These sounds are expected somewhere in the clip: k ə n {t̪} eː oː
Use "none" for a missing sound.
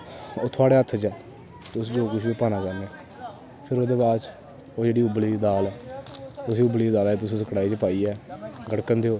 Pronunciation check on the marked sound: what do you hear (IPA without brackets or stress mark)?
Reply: d̪